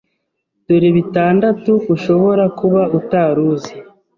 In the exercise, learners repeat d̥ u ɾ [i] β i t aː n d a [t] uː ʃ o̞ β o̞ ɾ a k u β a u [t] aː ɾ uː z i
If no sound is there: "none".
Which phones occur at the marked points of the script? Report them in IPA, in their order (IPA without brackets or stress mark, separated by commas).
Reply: i, t, t